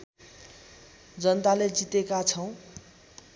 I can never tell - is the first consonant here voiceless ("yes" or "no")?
no